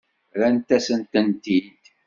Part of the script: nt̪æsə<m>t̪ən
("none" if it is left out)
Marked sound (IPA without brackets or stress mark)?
n